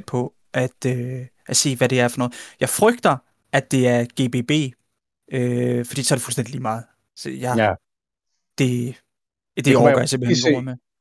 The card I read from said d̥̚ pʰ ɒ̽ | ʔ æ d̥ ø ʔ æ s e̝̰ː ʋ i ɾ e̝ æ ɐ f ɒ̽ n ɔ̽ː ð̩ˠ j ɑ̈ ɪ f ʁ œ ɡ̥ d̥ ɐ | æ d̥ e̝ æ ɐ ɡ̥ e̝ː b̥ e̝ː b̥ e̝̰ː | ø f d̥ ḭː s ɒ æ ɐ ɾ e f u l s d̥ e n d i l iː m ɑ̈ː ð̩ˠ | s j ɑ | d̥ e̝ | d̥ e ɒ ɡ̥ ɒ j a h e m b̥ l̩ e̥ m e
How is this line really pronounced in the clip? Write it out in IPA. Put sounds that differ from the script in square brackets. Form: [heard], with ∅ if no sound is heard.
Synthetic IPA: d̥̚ pʰ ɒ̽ | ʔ æ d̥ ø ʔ æ s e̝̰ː ʋ [æ] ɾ e̝ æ ɐ f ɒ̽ n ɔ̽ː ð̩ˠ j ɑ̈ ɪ f ʁ œ ɡ̥ d̥ ɐ | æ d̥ e̝ æ ɐ ɡ̥ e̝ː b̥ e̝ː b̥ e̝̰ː | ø f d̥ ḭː s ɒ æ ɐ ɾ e f u l s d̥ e n d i l iː m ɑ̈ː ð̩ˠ | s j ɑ | d̥ e̝ | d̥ e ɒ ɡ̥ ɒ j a [s] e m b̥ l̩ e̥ m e